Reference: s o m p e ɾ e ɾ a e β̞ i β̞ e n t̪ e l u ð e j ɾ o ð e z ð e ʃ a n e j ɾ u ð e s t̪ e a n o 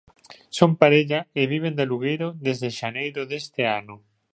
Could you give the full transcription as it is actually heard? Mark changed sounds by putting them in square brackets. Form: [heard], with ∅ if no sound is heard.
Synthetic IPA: s o m p [a] ɾ e [ʎ] a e β̞ i β̞ e n [d̪] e l u [ɣ] e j ɾ o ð e z ð e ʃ a n e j ɾ [o] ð e s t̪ e a n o